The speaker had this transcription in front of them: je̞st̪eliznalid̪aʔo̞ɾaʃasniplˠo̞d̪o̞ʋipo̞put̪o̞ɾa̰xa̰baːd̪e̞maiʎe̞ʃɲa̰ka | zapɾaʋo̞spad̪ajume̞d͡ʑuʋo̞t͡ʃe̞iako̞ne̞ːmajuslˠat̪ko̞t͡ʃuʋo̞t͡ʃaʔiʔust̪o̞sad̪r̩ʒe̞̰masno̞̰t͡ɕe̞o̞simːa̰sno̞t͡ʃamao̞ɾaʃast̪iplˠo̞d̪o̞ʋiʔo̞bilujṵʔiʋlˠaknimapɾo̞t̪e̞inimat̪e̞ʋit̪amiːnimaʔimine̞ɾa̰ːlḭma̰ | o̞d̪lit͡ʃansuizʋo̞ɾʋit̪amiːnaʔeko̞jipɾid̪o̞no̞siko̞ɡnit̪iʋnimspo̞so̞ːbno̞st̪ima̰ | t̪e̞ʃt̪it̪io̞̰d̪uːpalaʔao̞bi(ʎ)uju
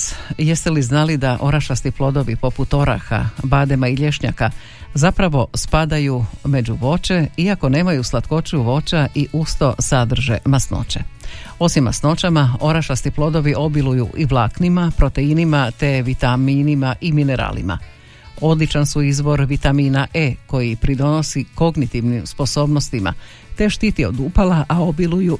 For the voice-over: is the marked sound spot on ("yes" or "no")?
no